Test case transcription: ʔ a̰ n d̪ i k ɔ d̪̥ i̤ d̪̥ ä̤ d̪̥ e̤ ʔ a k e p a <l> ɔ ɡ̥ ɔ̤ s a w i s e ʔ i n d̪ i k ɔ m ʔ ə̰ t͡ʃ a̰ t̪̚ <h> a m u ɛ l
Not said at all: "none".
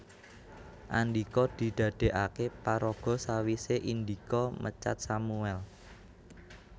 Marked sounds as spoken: ɾ, s

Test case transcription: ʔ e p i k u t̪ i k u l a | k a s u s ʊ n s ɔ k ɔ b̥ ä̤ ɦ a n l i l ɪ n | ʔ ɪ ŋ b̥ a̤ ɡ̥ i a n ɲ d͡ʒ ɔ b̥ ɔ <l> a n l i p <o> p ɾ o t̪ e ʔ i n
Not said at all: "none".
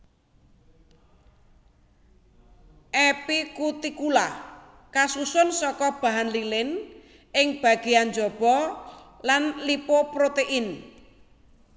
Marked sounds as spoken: l, o

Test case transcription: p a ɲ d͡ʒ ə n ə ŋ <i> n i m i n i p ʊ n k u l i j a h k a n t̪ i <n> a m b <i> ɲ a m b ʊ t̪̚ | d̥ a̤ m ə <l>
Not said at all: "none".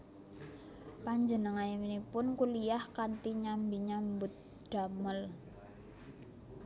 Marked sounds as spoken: a, ɲ, i, l

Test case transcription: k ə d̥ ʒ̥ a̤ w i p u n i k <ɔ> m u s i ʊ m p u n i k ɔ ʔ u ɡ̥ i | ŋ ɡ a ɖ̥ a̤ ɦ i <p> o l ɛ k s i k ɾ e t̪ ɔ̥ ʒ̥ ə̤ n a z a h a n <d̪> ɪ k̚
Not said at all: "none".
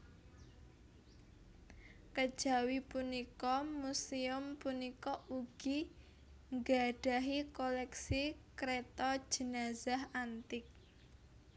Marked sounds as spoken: ɔ, k, t̪

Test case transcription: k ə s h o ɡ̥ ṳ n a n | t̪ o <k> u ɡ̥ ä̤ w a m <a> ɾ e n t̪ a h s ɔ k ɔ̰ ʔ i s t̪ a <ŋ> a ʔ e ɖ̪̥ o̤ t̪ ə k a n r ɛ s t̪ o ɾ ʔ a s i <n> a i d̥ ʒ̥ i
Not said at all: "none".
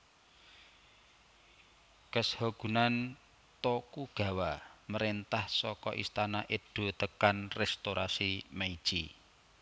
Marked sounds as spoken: k, ə, n, m

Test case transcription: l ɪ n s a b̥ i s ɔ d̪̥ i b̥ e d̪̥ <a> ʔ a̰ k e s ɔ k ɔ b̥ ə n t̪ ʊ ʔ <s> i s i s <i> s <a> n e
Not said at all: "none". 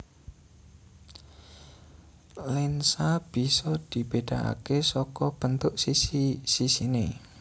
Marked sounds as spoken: a, s, i, i

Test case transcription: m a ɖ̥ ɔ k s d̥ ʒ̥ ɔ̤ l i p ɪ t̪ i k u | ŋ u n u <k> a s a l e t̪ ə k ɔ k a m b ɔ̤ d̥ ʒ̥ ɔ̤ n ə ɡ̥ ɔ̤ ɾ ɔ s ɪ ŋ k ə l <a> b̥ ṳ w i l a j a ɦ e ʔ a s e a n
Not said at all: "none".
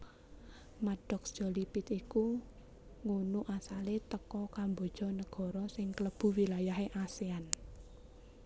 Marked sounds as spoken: ʔ, ə

